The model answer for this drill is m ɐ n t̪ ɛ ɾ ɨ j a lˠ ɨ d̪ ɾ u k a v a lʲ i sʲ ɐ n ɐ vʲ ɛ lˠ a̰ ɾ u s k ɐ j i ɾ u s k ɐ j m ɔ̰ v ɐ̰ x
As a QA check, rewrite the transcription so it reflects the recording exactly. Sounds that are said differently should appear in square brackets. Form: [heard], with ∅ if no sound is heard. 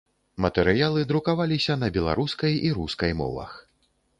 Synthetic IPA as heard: m ɐ [∅] t̪ ɛ ɾ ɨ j a lˠ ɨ d̪ ɾ u k a v a lʲ i sʲ ɐ n ɐ [bʲ] ɛ lˠ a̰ ɾ u s k ɐ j i ɾ u s k ɐ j m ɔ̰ v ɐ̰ x